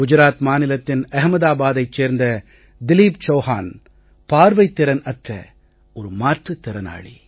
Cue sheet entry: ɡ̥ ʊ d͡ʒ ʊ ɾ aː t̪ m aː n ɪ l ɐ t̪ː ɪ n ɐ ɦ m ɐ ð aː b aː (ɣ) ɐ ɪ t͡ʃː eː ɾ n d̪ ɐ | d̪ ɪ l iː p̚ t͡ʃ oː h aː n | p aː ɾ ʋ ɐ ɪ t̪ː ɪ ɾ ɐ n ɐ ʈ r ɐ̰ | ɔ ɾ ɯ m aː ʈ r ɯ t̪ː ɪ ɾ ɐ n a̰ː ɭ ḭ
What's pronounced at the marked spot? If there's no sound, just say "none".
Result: ð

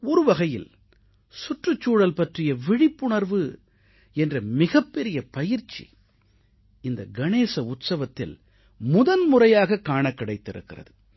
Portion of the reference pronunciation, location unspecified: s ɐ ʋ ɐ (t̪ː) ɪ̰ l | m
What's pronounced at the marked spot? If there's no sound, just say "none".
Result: t̪ː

